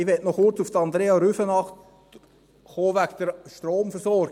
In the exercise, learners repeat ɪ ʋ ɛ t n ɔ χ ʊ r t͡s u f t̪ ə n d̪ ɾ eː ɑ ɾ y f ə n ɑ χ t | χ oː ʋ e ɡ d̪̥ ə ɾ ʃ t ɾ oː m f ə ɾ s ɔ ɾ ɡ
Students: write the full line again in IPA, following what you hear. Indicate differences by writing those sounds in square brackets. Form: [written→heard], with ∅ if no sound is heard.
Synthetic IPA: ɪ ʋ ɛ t n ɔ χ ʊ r t͡s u f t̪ [ə→ɑ] n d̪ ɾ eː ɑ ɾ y f ə n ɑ χ t | χ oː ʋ [e→æ] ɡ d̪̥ ə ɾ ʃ t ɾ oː m f ə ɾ s ɔ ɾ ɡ

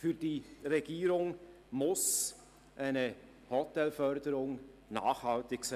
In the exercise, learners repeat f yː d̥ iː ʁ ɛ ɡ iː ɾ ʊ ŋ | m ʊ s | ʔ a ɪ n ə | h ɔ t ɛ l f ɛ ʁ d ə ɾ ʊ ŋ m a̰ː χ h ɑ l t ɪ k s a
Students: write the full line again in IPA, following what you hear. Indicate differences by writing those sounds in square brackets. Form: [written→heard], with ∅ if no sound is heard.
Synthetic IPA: f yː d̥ iː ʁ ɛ ɡ iː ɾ ʊ ŋ | m ʊ s | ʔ a ɪ n ə | h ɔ t ɛ l f [ɛ→œ] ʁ d ə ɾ ʊ ŋ [m→n] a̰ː χ h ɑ l t ɪ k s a

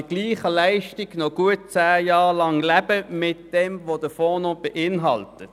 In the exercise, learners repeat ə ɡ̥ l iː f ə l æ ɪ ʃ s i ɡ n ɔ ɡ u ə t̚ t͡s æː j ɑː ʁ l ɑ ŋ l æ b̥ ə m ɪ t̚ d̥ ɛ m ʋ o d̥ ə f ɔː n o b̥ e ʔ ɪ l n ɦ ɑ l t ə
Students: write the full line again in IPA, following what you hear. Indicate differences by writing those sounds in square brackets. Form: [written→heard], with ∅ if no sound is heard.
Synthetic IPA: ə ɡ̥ l iː [f→χ] ə l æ ɪ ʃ [s→t] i ɡ n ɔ ɡ u ə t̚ t͡s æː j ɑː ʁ l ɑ ŋ l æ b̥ ə m ɪ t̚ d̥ ɛ m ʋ o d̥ ə f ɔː n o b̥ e ʔ ɪ [l→∅] n ɦ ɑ l t ə

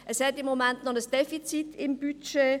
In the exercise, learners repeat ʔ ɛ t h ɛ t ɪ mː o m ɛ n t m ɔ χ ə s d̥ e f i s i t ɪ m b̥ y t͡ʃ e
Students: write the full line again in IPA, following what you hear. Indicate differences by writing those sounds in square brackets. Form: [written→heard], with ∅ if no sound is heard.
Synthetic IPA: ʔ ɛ [t→s] h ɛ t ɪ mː o m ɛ n t [m→n] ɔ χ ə s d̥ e f i [s→t͡s] i t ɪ m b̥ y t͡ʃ e

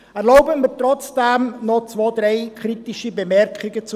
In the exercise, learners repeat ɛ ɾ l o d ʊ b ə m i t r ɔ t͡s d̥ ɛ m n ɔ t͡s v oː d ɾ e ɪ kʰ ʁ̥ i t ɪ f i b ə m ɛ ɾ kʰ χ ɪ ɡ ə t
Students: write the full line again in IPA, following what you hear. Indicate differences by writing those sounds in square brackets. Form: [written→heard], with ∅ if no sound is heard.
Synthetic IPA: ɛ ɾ l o [d→∅] ʊ b ə m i t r ɔ t͡s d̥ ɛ m n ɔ t͡s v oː d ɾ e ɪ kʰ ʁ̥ i t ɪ [f→ʃ] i b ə m ɛ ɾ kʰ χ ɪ ɡ ə [t→t͡s]

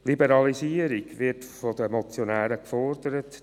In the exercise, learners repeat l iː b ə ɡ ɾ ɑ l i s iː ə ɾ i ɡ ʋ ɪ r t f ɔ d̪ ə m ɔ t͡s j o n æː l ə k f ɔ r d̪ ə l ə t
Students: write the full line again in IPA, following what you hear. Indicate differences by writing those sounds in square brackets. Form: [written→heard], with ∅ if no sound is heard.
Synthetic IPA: l [iː→i] b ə [ɡ→∅] ɾ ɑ l i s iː ə ɾ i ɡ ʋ ɪ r t f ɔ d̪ ə m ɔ t͡s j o n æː [l→ɾ] ə k f ɔ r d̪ ə [l→ɾ] ə t

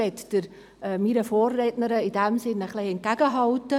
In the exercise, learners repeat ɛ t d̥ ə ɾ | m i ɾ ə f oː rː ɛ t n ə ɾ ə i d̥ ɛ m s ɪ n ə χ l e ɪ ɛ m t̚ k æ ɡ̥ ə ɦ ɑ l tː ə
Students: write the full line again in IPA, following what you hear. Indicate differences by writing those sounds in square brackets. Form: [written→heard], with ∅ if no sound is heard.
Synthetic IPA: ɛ t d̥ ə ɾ | m i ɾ ə f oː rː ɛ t n ə ɾ ə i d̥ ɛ m s ɪ n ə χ l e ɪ ɛ [m→n] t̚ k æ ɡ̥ ə ɦ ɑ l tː ə

